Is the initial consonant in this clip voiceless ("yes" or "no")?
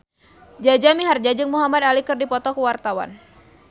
no